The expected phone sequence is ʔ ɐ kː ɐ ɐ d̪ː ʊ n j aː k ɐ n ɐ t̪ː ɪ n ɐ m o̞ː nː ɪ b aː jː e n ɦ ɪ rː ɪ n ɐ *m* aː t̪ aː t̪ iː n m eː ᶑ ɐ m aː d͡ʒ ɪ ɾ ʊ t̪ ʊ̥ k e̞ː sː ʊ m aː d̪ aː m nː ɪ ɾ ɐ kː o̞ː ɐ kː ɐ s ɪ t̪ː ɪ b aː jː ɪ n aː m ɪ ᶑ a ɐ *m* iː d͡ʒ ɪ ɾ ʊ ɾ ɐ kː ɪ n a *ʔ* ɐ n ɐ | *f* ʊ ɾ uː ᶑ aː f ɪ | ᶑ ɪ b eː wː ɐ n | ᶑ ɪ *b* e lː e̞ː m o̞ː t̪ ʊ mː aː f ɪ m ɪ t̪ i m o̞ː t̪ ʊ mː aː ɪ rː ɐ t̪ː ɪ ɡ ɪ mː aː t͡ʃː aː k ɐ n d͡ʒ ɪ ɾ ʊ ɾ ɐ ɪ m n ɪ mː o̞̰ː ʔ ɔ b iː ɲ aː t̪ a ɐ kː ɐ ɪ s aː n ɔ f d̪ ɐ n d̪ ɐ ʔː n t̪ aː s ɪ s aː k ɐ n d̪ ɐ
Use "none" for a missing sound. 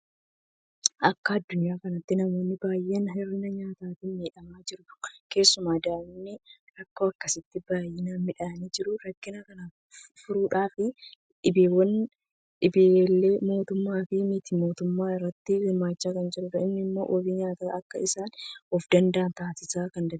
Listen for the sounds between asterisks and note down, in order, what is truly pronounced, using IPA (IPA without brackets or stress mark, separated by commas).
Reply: ɲ, n, k, f, b